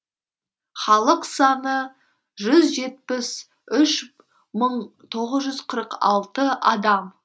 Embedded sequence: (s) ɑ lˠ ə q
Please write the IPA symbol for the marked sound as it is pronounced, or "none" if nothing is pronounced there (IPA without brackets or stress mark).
χ